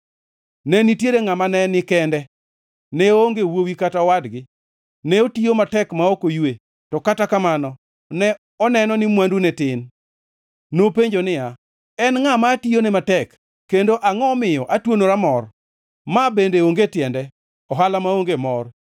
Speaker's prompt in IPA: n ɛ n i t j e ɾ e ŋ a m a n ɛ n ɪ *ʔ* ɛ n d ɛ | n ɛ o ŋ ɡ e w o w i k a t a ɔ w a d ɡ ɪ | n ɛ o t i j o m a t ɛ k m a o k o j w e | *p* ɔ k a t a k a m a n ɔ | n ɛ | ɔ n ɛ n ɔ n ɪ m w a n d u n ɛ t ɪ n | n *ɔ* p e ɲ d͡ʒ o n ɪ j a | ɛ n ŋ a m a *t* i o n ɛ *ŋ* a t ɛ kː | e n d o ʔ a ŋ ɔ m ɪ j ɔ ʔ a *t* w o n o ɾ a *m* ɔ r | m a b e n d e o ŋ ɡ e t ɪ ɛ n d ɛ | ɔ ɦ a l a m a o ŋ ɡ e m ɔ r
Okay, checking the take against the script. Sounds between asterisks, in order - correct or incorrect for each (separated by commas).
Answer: incorrect, incorrect, incorrect, correct, incorrect, correct, correct